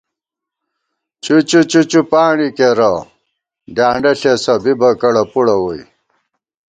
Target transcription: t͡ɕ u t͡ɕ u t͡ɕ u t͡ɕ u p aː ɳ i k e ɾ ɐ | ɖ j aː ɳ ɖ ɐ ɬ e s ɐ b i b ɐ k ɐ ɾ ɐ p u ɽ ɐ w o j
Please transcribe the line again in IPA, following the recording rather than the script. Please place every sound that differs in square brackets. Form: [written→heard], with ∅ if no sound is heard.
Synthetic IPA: t͡ɕ u t͡ɕ u t͡ɕ u t͡ɕ u p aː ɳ i k e ɾ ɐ | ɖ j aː ɳ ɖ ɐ ɬ e s ɐ b i b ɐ k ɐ [ɾ→ɽ] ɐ p u ɽ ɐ w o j